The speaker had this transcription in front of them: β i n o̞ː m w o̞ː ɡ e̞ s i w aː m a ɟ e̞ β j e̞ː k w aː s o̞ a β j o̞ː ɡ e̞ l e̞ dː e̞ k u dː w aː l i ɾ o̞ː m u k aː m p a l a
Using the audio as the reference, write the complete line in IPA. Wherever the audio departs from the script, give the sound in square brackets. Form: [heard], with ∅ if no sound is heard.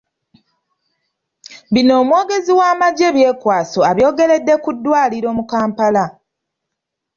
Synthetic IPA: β i n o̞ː m w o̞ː ɡ e̞ [z] i w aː m a ɟ e̞ β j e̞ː k w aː s o̞ a β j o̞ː ɡ e̞ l e̞ dː e̞ k u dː w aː l i ɾ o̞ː m u k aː m p a l a